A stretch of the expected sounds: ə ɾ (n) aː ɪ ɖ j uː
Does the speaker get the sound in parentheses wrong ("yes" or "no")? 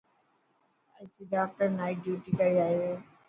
no